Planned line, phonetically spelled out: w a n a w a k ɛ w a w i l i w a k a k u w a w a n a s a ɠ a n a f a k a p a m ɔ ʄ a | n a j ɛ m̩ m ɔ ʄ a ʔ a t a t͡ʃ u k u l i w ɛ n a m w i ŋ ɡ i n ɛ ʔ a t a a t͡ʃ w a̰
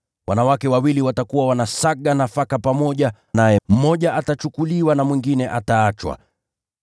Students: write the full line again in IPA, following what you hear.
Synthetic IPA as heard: w a n a w a k ɛ w a w i l i w a t a k u w a w a n a s a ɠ a n a f a k a p a m ɔ ʄ a | n a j ɛ m̩ m ɔ ʄ a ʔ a t a t͡ʃ u k u l i w a n a m w i ŋ ɡ i n ɛ ʔ a t a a t͡ʃ w a̰